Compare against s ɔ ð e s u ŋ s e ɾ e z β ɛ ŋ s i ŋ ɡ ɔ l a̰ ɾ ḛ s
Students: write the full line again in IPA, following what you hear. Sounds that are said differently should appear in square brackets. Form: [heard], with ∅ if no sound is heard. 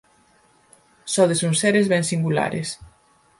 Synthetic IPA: s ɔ ð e s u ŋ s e ɾ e z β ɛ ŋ s i ŋ ɡ [u] l a̰ ɾ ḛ s